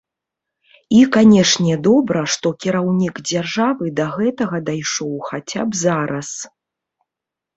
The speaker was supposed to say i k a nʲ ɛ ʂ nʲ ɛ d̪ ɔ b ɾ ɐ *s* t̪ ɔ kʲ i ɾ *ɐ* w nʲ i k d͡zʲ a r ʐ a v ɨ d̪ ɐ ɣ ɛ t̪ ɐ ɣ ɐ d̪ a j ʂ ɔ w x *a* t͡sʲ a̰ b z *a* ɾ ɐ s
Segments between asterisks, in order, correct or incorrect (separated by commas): incorrect, incorrect, correct, correct